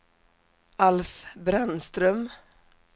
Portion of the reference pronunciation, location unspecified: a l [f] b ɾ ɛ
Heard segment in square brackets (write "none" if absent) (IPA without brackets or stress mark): f